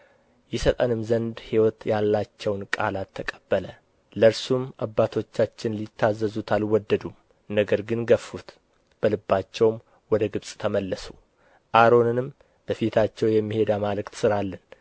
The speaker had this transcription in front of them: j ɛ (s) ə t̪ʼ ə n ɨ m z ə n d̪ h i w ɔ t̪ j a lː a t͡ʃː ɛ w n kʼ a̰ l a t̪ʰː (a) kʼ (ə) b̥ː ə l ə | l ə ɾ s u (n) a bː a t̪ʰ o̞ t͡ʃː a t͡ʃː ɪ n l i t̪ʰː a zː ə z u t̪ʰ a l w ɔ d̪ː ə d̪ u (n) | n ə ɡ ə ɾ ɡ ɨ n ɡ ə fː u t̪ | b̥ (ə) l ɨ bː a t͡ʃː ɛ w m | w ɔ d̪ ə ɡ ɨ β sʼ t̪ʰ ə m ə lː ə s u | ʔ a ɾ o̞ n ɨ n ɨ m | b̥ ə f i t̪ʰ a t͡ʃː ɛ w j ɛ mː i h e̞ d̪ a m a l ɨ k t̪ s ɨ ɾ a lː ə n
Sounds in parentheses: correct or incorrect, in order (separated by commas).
correct, incorrect, correct, incorrect, incorrect, correct